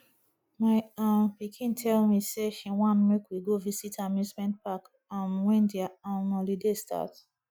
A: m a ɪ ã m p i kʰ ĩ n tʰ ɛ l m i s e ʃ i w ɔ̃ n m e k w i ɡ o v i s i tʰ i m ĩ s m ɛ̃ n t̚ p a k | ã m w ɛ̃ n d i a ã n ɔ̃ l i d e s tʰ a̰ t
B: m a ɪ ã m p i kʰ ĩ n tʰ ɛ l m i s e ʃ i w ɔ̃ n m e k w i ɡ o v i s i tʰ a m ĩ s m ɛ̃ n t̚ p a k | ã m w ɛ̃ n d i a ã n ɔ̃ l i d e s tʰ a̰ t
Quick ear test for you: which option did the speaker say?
B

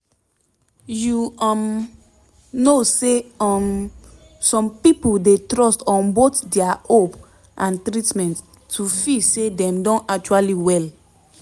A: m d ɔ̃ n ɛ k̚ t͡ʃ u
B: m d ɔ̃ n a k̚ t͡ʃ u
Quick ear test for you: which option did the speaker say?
B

